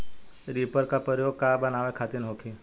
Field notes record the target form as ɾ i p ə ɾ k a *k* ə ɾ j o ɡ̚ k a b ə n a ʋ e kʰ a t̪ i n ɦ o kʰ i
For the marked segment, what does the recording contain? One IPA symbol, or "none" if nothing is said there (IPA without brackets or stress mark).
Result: p